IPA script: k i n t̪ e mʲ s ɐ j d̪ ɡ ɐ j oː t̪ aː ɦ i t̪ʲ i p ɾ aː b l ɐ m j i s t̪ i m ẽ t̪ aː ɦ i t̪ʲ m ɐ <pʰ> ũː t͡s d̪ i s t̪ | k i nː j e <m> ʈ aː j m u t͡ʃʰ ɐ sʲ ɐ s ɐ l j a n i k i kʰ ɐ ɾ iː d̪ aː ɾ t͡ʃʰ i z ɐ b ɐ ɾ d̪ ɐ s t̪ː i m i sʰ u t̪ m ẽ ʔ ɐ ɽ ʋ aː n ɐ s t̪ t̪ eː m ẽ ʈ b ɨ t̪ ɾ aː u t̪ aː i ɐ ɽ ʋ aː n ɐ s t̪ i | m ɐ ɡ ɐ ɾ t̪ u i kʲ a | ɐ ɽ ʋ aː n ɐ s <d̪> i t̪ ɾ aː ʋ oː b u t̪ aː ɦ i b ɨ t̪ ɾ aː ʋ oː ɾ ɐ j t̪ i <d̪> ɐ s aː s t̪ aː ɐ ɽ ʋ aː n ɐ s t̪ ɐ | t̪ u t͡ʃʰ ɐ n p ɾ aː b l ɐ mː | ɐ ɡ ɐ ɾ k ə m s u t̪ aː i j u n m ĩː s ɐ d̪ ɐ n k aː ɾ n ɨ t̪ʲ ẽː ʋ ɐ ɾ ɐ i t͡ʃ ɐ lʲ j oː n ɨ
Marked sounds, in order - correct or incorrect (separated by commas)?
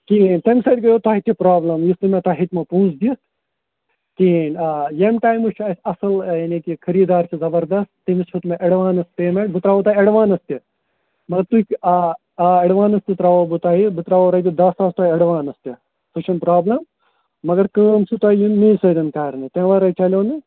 incorrect, correct, incorrect, correct